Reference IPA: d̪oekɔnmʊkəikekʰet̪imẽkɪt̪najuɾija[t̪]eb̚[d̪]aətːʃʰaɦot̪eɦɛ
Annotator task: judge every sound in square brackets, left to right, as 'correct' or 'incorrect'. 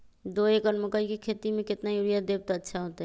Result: incorrect: d̪, incorrect: t̪

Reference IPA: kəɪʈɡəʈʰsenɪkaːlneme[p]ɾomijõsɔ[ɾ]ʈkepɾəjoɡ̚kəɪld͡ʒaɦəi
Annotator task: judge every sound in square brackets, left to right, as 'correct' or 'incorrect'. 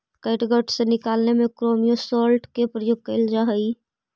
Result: incorrect: k, incorrect: l

